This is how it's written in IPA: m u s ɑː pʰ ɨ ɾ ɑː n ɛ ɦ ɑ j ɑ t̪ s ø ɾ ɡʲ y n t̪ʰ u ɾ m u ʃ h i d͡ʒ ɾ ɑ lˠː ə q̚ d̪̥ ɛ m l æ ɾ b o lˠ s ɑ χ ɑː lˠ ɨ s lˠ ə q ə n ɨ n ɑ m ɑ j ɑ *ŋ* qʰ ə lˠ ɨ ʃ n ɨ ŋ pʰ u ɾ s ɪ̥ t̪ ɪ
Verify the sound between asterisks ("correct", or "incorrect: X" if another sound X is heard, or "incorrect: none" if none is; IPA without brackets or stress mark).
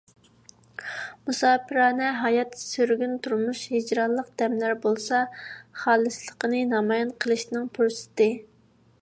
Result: incorrect: n